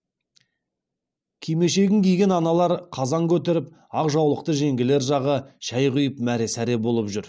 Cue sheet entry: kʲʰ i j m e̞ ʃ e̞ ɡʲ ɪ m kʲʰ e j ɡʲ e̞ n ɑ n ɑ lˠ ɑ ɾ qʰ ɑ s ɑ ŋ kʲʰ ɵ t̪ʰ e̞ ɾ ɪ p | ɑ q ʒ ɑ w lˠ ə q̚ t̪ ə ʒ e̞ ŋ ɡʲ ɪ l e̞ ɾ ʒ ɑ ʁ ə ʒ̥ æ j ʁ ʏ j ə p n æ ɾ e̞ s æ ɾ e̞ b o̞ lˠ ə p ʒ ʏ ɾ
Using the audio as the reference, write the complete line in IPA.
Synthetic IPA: kʲʰ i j m e̞ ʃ e̞ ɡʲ ɪ ŋ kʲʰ e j ɡʲ e̞ n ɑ n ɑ lˠ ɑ ɾ qʰ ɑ z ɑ ŋ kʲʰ ɵ t̪ e̞ ɾ ɪ p | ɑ q ʒ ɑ w lˠ ə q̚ t̪ ə ʒ e̞ ŋ ɡʲ ɪ l e̞ ɾ ʒ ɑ ʁ ə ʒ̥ æ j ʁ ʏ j ə p m æ ɾ e̞ s æ ɾ e̞ b o̞ lˠ ə p ʒ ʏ ɾ